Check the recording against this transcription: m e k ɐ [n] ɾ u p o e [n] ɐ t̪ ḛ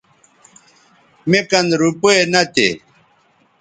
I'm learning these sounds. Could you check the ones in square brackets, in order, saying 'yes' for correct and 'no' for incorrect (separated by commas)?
yes, yes